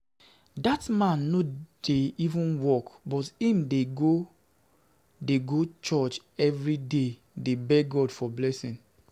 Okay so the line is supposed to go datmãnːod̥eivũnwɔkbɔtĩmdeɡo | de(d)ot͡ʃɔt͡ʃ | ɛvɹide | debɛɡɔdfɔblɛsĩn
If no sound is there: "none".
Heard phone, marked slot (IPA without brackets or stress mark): ɡ